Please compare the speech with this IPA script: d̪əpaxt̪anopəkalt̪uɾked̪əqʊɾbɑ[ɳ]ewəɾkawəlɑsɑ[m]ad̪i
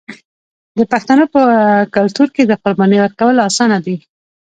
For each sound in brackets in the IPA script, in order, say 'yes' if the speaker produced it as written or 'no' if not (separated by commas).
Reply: no, no